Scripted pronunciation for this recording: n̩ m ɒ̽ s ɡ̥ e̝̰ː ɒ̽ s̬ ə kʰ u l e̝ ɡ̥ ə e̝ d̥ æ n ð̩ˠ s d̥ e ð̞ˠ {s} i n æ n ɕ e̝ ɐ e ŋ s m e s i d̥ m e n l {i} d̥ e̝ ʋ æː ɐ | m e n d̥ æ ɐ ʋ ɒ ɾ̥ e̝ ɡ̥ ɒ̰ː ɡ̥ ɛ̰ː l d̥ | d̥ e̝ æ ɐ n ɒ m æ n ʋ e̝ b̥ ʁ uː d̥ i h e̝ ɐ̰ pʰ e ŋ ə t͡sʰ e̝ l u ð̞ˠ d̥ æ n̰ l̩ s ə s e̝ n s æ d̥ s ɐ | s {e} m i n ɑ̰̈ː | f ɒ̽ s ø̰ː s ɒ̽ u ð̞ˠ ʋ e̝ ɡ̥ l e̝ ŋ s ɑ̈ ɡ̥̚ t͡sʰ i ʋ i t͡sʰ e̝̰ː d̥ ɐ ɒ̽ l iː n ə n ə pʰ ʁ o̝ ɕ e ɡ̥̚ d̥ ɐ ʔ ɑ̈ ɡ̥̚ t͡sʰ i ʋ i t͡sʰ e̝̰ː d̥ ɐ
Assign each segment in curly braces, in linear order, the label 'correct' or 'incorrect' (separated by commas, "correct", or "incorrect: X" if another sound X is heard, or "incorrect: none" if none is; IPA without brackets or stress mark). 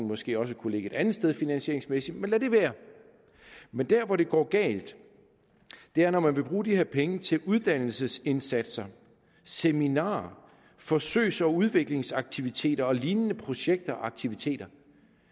incorrect: f, incorrect: æ, correct